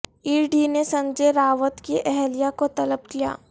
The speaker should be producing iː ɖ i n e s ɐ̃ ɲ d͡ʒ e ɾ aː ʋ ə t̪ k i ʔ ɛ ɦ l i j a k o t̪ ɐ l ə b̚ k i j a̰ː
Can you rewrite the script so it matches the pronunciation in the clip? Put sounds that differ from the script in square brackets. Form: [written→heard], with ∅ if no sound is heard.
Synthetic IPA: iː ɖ i n e s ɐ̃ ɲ d͡ʒ e ɾ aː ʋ ə t̪ k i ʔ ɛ ɦ l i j a k o t̪ ɐ l ə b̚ k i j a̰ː